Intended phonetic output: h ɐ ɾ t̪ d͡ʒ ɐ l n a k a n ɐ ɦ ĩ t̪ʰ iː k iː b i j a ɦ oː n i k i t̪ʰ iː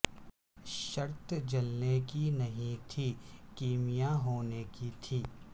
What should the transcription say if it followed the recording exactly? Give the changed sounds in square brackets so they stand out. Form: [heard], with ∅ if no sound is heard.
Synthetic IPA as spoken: [ʃ] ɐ ɾ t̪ d͡ʒ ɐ l n [e] k [i] n ɐ ɦ ĩ t̪ʰ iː k iː [m] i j a ɦ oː n [e] k i t̪ʰ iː